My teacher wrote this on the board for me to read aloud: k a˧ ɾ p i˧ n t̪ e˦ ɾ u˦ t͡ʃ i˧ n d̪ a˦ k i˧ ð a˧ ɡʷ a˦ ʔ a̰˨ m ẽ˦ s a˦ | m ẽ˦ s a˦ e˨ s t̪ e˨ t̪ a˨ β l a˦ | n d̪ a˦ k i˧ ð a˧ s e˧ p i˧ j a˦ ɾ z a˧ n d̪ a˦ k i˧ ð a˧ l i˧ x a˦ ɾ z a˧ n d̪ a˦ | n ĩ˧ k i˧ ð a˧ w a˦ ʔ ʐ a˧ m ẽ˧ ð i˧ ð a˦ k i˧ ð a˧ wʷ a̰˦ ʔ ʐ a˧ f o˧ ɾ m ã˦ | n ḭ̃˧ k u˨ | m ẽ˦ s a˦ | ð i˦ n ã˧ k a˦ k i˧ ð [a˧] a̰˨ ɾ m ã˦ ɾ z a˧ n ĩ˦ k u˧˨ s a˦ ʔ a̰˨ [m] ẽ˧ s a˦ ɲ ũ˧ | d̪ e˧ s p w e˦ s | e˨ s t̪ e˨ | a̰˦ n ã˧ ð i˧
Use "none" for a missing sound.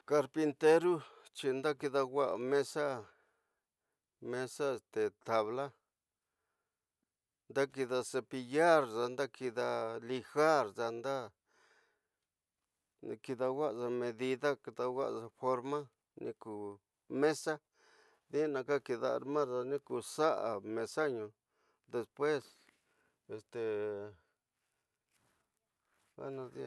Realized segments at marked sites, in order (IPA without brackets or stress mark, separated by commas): a˧, m